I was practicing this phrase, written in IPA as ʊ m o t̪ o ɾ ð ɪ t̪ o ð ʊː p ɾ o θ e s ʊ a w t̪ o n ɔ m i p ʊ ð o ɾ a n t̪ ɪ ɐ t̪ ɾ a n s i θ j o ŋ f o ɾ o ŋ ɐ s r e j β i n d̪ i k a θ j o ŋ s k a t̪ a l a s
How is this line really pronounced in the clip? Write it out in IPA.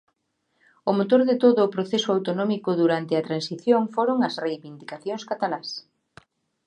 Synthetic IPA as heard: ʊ m o t̪ o ɾ ð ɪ t̪ o ð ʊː p ɾ o θ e s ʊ a w t̪ o n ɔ m i k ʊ ð u ɾ a n t̪ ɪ ɐ t̪ ɾ a n s i θ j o ŋ f o ɾ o ŋ ɐ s r e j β i n d̪ i k a θ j o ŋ s k a t̪ a l a s